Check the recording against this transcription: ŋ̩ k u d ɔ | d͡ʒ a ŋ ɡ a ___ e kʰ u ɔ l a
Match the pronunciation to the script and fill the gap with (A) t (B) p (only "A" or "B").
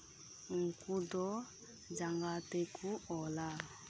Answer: A